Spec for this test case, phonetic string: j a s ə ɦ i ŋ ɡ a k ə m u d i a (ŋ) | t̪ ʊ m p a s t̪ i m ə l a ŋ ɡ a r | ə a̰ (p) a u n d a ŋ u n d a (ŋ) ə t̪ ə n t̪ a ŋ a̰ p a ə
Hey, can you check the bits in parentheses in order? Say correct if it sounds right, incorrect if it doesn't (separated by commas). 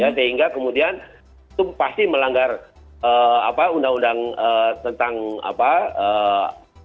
incorrect, correct, correct